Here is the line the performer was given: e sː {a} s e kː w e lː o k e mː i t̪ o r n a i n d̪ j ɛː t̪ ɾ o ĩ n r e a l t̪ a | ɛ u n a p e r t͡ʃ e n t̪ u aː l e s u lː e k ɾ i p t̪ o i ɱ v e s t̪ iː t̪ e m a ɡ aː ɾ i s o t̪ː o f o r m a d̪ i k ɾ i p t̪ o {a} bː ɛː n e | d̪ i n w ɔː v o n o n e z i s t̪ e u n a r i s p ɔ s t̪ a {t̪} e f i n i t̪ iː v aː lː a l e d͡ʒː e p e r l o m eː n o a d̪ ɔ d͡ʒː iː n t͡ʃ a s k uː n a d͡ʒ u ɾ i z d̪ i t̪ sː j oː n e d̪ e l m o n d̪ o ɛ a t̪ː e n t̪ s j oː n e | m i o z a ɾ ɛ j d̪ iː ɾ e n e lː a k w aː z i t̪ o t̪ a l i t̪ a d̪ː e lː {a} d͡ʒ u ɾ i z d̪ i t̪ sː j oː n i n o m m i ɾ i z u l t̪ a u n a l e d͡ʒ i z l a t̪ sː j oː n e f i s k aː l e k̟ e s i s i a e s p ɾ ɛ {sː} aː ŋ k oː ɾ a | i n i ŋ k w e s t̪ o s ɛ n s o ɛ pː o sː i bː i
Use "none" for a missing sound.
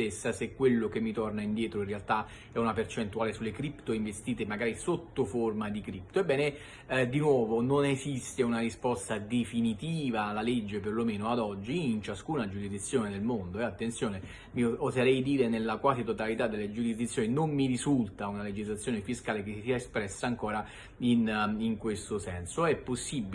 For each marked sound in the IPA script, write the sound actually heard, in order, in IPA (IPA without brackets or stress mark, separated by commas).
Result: a, e, d̪, e, sː